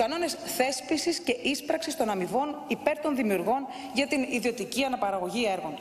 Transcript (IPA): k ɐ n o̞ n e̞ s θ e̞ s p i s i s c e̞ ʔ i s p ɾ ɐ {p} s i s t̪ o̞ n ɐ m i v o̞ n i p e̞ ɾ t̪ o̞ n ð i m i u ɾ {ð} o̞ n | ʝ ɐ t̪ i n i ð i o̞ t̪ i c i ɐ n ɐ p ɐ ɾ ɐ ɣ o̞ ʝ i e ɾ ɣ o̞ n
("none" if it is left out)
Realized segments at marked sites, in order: k, ɣ

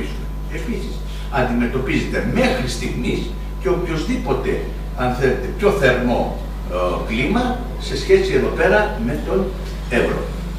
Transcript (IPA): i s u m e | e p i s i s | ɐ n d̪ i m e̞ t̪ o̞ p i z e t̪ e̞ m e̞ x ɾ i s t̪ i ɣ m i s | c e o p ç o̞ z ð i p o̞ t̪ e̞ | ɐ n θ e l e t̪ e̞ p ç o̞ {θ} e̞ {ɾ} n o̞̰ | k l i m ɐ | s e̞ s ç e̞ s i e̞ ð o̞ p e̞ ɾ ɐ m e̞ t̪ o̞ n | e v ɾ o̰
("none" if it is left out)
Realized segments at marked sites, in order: θ, ɾ

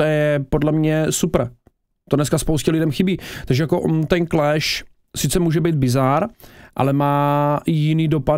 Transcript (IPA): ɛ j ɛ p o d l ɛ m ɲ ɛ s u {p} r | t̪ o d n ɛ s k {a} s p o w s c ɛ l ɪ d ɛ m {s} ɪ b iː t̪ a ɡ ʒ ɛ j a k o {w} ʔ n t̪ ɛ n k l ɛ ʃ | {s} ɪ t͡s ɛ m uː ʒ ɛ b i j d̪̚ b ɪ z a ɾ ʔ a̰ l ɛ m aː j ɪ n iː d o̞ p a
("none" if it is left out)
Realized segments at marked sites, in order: p, a, x, none, s

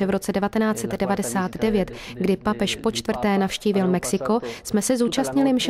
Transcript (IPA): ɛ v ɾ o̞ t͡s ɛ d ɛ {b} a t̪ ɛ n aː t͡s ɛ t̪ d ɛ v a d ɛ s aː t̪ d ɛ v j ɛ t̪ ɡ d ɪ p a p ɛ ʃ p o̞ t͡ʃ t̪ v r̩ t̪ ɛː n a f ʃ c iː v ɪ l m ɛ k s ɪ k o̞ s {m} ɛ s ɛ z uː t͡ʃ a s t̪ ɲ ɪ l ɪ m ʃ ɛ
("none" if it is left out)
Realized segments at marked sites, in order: v, m

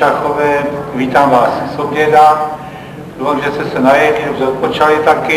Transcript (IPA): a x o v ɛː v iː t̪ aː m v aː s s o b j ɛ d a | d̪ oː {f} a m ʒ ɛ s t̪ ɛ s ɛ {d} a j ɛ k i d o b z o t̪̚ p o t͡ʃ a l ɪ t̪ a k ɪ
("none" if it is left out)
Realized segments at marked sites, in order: f, n

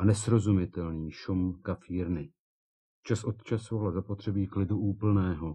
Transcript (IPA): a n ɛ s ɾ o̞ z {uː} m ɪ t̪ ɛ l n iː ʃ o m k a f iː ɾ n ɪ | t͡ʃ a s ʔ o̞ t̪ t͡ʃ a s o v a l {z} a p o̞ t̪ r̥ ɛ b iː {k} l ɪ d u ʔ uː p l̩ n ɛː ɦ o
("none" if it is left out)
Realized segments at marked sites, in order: u, z, k

